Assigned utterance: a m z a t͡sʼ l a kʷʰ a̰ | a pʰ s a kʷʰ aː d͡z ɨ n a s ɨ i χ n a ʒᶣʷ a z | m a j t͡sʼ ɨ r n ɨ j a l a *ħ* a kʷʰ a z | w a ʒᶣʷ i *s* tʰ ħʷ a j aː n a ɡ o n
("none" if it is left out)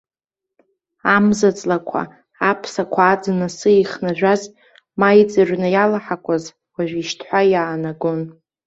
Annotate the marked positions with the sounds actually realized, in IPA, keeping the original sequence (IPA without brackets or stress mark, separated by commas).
ħ, ʃ